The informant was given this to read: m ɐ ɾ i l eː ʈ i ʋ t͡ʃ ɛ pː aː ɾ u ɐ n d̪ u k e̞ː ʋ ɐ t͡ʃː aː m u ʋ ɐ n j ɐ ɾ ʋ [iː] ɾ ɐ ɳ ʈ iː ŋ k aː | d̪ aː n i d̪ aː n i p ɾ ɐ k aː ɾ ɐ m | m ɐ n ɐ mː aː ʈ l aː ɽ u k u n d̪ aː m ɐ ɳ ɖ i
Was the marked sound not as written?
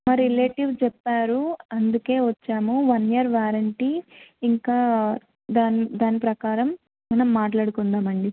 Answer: yes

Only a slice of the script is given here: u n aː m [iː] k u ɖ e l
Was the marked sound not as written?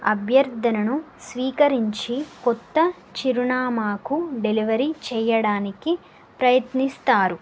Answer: yes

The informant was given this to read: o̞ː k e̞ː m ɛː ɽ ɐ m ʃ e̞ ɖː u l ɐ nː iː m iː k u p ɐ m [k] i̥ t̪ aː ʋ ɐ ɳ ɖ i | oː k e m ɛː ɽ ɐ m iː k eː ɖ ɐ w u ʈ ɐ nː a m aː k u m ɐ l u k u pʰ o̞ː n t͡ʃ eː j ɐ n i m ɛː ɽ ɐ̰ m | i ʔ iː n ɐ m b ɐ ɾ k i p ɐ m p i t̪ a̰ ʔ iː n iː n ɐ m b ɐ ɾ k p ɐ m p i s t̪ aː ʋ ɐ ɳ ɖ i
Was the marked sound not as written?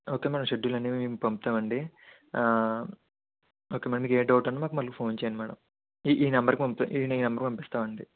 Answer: yes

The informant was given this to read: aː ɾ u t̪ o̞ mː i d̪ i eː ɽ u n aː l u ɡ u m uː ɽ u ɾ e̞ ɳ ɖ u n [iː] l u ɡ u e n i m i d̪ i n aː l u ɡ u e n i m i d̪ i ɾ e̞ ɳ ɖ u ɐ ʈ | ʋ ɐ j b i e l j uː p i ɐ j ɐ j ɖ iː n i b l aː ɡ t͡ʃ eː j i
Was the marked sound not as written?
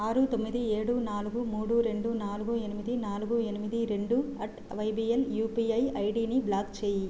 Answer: yes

